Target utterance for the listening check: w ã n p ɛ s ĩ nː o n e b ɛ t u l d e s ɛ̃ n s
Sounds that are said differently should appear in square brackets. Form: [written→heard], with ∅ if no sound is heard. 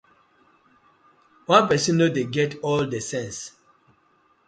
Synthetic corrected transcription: w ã n p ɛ s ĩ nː o [n→d] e [b→ɡ] ɛ t [u→ɔ] l d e s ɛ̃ n s